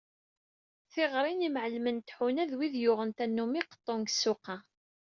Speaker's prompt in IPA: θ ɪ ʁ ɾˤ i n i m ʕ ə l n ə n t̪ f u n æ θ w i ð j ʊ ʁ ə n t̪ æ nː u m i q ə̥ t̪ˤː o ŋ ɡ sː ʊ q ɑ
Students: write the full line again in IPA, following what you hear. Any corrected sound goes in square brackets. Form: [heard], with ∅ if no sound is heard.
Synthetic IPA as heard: θ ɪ ʁ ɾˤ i n i m ʕ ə l [m] ə n t̪ [ħ] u n æ [ð] w i ð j ʊ ʁ ə n t̪ æ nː u m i q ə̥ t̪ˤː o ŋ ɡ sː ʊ q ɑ